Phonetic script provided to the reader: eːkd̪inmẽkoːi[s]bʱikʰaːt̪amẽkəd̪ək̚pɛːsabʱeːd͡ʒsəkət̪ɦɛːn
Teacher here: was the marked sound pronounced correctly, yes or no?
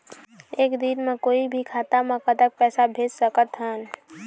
no